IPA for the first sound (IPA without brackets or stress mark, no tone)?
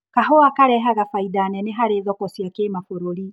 k